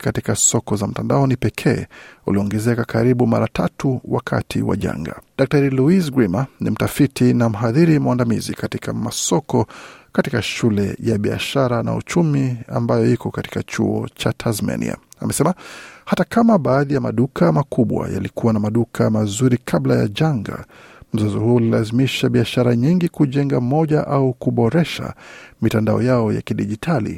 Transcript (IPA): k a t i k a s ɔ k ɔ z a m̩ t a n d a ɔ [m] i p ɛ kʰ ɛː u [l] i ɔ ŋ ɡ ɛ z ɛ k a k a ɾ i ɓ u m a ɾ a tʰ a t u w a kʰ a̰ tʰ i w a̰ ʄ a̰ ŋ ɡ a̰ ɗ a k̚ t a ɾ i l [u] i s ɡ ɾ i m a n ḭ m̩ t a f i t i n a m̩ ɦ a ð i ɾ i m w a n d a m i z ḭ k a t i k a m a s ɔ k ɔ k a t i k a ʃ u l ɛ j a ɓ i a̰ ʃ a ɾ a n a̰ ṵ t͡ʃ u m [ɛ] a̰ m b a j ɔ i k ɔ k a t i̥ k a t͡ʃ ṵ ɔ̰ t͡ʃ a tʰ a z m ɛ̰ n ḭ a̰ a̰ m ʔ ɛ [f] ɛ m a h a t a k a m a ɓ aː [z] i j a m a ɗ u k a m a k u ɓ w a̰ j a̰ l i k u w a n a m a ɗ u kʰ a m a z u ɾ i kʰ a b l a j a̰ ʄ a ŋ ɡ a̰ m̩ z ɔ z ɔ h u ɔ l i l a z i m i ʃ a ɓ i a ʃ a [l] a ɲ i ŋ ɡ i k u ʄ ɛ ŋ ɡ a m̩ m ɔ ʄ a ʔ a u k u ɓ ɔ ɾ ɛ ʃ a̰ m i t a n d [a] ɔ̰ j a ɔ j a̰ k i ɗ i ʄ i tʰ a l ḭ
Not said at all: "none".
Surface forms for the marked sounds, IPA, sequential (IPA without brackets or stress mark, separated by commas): n, l, u, i, s, ð, ɾ, a